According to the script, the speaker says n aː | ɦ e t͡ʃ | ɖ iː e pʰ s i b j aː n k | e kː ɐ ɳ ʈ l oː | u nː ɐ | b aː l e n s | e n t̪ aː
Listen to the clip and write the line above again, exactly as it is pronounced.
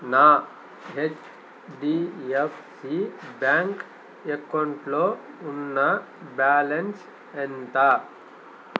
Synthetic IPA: n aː | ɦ e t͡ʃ | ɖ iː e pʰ s i b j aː ŋ k | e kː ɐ ɳ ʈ l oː | u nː ɐ | b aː l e n s | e n t̪ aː